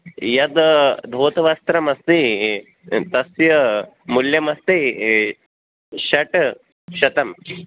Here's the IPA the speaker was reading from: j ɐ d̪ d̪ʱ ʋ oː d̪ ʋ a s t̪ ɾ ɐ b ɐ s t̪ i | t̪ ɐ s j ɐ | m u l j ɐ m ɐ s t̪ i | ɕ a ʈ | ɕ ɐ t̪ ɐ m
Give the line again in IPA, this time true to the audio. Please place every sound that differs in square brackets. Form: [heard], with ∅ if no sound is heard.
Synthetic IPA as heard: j ɐ d̪ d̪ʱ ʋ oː [t̪] ʋ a s t̪ ɾ ɐ [m] ɐ s t̪ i | t̪ ɐ s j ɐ | m u l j ɐ m ɐ s t̪ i | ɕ [ɐ] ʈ | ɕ ɐ t̪ ɐ m

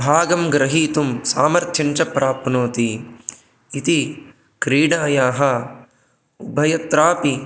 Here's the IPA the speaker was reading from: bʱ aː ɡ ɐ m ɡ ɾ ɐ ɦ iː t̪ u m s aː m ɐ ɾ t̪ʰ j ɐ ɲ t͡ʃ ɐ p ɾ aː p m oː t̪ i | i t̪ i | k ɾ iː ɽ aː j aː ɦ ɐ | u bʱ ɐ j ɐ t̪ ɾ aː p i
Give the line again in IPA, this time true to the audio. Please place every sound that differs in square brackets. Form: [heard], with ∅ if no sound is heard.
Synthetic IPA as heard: bʱ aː ɡ ɐ m ɡ ɾ ɐ ɦ iː t̪ u m s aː m ɐ ɾ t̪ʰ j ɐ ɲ t͡ʃ ɐ p ɾ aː p [n] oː t̪ i | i t̪ i | k ɾ iː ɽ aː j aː ɦ ɐ | u bʱ ɐ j ɐ t̪ ɾ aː p i

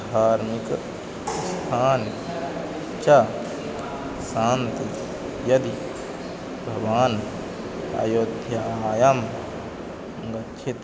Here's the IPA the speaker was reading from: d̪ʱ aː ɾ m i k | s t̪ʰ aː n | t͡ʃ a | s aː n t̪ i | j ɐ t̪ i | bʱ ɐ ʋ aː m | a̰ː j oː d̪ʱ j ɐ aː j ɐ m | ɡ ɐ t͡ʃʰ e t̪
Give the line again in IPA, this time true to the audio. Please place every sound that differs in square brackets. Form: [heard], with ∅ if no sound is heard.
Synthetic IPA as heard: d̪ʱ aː ɾ m i k | s t̪ʰ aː n | t͡ʃ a | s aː n t̪ i | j ɐ [d̪] i | bʱ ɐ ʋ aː [n] | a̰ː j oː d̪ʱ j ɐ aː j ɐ m | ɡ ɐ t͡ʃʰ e t̪

